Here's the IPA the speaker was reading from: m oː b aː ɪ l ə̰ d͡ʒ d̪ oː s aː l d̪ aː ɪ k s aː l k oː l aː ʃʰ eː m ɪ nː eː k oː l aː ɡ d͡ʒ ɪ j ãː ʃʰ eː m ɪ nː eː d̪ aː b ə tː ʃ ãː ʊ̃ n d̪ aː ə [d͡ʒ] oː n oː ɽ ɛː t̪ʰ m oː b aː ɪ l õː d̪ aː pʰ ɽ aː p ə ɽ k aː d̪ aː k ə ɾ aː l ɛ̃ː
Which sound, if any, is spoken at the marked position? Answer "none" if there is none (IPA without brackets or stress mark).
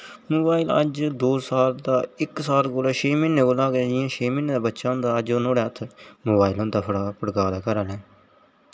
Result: d͡ʒ